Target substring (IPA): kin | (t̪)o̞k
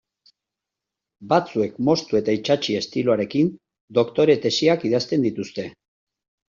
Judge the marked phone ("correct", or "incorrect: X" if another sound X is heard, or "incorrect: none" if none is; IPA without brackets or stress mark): incorrect: d̪